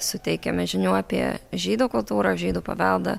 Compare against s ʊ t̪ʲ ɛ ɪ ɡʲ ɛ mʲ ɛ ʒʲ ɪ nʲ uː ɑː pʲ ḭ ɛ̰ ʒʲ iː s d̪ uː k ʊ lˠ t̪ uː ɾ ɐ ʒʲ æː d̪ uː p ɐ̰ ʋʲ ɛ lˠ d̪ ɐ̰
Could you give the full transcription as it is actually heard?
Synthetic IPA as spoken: s ʊ t̪ʲ ɛ ɪ kʲ ɛ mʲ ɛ ʒʲ ɪ nʲ uː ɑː pʲ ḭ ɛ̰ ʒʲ iː d̪ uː k ʊ lˠ t̪ uː ɾ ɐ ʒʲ iː d̪ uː p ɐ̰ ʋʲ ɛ lˠ d̪ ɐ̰